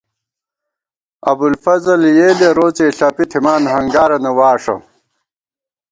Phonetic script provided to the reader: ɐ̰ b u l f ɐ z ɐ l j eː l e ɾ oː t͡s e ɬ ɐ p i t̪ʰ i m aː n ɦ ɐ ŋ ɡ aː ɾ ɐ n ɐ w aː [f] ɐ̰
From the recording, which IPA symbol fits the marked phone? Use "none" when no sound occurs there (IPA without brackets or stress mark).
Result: ʂ